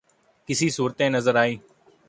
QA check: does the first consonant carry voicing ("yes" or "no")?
no